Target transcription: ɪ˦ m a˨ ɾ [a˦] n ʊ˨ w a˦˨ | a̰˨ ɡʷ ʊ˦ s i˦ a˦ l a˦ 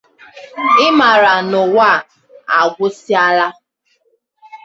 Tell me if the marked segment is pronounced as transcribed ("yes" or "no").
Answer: no